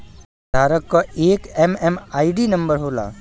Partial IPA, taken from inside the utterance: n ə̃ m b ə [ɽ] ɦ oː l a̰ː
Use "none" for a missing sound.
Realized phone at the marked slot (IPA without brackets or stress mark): ɾ